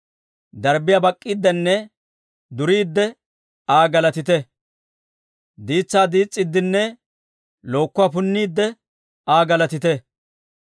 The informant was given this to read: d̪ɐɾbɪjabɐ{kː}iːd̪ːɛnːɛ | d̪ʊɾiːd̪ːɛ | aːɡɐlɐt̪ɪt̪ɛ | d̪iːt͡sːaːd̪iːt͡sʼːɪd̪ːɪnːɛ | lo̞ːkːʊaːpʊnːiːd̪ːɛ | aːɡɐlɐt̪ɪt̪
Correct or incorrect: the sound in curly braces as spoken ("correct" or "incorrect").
incorrect